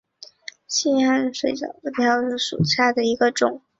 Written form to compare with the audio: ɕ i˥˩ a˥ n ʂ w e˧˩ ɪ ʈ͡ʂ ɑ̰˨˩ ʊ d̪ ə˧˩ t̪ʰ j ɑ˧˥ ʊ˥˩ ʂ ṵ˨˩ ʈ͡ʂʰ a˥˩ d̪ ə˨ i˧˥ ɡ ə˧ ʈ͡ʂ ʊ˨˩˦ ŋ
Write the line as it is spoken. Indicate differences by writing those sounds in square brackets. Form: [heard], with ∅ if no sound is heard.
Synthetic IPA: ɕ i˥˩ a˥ n ʂ w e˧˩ ɪ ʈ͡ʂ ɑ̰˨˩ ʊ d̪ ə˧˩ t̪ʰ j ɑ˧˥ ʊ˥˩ ʂ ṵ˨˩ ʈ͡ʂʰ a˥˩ d̪ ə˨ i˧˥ ɡ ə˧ ʈ͡ʂ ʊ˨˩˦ ŋ

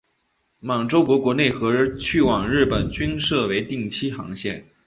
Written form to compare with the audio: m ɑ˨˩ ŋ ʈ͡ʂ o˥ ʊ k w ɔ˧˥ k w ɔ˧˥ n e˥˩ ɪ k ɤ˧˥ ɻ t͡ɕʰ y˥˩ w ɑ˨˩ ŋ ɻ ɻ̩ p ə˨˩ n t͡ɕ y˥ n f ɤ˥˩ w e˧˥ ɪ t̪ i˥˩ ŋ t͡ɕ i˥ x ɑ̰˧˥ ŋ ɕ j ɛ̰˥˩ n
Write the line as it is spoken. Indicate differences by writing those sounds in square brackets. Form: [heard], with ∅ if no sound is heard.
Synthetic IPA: m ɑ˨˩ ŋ ʈ͡ʂ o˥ ʊ k w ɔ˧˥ k w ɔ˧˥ n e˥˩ ɪ [x] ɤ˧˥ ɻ t͡ɕʰ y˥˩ w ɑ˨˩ ŋ ɻ ɻ̩ p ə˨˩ n t͡ɕ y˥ n [ʂ] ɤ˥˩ w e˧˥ ɪ t̪ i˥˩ ŋ [t͡ɕʰ] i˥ x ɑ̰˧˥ ŋ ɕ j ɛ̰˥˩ n

